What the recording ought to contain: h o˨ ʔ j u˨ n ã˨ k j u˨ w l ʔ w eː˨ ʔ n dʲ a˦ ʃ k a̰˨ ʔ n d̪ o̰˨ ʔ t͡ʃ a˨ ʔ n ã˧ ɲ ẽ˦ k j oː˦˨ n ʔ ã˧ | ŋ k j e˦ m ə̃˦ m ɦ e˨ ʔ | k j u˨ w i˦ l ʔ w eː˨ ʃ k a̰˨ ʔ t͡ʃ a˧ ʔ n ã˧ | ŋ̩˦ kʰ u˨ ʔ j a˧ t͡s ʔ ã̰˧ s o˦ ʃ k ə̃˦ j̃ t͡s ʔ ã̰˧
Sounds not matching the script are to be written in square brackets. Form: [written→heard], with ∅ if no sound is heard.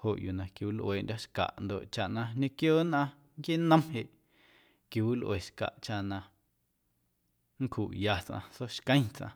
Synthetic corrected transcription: h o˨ ʔ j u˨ n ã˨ k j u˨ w l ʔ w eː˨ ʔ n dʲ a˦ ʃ k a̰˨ ʔ n d̪ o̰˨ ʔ t͡ʃ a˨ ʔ n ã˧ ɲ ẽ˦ k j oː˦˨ n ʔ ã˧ | ŋ k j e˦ [m→n] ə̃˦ m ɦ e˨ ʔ | k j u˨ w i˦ l ʔ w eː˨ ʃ k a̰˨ ʔ t͡ʃ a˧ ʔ n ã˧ | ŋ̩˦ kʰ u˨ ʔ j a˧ t͡s ʔ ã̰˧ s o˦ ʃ k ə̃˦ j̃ t͡s ʔ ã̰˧